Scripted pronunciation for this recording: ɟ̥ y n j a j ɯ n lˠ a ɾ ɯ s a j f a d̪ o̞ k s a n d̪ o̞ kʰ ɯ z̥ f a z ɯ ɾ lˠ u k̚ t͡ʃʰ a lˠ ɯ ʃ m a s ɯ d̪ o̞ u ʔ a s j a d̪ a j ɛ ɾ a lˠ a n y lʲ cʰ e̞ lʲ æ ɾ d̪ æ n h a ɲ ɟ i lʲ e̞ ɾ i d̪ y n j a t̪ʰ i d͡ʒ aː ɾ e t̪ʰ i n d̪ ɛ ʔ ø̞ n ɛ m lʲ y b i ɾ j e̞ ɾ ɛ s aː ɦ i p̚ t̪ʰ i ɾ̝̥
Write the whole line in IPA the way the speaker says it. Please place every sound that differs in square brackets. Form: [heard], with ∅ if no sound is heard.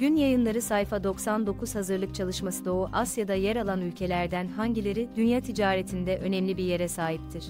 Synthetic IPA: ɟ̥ y n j a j ɯ n lˠ a ɾ ɯ s a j f a d̪ o̞ k s a n d̪ o̞ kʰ [u] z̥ [h] a z ɯ ɾ lˠ [ɯ] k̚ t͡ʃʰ a lˠ ɯ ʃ m a s ɯ d̪ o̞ u ʔ a s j a d̪ a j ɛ ɾ a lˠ a n y lʲ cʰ e̞ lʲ æ ɾ d̪ æ n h a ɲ ɟ i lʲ e̞ ɾ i d̪ y n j a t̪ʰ i d͡ʒ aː ɾ e t̪ʰ i n d̪ ɛ ʔ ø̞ n ɛ m lʲ [i] b i ɾ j e̞ ɾ ɛ s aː ɦ i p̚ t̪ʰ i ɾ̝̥